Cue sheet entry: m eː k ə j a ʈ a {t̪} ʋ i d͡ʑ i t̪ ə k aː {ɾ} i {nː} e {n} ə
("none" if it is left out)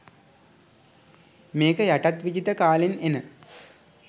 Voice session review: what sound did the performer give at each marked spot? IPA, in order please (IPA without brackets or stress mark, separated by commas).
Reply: t̪, l, n, n